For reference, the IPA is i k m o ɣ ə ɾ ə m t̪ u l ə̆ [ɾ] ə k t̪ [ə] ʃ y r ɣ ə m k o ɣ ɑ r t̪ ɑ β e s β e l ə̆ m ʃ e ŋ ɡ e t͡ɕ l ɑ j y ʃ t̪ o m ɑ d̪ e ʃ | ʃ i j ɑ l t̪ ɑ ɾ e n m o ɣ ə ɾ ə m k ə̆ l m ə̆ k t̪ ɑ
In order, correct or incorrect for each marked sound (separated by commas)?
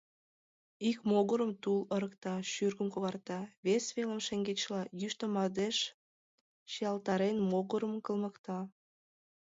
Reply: correct, incorrect